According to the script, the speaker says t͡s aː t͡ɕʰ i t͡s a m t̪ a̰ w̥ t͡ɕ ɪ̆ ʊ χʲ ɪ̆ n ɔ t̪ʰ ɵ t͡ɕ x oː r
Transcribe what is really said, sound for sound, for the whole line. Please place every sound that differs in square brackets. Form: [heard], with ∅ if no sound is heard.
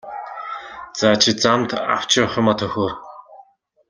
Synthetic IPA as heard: t͡s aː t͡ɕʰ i t͡s a m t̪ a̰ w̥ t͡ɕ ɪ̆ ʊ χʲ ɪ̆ [m] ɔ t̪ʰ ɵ [∅] x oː r